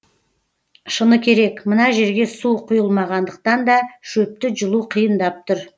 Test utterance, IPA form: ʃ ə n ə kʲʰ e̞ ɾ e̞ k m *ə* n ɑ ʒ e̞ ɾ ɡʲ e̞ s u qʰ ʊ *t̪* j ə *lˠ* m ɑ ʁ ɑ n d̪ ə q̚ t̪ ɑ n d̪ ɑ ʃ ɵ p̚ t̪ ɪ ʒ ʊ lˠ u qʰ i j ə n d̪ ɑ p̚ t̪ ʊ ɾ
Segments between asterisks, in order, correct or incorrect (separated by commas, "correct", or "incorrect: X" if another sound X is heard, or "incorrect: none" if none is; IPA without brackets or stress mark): correct, incorrect: none, correct